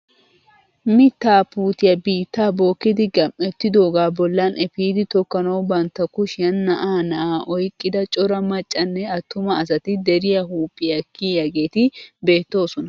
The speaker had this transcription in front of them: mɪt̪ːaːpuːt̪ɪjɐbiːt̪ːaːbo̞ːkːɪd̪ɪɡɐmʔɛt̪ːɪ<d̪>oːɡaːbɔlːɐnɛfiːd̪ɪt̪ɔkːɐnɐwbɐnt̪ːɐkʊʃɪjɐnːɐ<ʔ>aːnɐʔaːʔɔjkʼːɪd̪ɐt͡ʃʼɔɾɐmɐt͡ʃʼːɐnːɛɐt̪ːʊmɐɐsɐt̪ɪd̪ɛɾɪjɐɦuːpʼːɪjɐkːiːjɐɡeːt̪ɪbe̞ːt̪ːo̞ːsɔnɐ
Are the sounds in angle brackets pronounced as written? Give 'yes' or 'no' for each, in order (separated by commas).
yes, yes